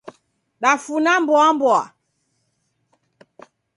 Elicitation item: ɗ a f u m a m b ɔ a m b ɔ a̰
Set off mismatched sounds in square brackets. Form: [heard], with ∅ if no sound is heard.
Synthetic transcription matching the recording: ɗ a f u [n] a m b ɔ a m b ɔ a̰

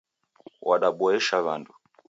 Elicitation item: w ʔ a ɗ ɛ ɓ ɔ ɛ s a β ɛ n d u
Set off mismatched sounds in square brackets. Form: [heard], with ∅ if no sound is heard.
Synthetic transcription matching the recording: w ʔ a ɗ [a] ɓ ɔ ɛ [ʃ] a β [a] n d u

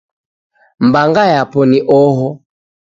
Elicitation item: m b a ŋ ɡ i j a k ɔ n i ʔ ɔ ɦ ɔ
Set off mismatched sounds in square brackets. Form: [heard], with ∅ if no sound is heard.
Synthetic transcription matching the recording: m b a ŋ ɡ [a] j a [p] ɔ n i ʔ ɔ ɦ ɔ

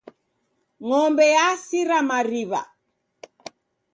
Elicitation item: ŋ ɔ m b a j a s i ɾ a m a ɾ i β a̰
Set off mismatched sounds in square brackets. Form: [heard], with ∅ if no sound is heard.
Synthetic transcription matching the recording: ŋ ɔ m b [ɛ] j a s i ɾ a m a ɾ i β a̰

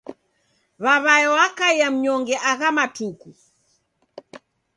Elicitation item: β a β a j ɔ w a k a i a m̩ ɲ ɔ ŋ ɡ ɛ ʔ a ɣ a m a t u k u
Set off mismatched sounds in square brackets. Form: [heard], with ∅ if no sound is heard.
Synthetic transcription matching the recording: β a β a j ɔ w a k a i a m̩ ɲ ɔ ŋ ɡ ɛ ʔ a ɣ a m a t u k u

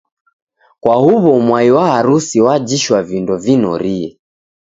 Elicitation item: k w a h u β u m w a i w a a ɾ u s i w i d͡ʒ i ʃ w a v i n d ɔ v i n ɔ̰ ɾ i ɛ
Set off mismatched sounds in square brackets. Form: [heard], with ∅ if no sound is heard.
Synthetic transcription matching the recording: k w a h u β [ɔ] m w a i w a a ɾ u s i w [a] d͡ʒ i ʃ w a v i n d ɔ v i n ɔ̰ ɾ i ɛ

